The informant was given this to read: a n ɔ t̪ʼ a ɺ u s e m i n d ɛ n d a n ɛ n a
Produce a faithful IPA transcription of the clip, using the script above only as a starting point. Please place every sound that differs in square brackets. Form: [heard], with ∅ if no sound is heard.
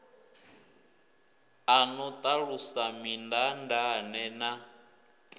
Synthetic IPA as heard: a n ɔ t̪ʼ a ɺ u s [a] m i n d [a] n d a n ɛ n a